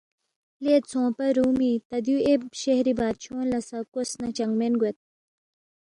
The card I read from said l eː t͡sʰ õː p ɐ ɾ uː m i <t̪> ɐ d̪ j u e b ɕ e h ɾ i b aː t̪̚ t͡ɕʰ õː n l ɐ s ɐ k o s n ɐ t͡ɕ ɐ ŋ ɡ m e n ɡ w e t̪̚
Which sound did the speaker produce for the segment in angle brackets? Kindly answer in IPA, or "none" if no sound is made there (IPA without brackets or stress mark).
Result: t̪